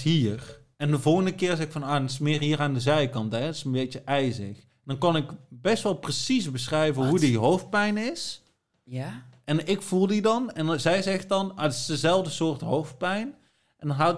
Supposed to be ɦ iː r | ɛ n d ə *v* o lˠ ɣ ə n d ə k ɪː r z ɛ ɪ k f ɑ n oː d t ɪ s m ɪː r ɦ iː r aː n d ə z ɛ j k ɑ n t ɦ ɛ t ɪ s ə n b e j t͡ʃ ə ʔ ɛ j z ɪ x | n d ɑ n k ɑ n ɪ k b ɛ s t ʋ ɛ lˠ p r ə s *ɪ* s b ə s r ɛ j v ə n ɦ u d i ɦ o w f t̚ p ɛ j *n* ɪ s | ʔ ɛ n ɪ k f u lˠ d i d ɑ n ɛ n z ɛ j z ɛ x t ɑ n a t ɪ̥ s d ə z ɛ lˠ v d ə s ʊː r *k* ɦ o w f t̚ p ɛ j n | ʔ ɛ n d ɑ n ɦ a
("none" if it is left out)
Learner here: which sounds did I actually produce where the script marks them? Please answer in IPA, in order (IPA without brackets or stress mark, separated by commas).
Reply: v, i, n, t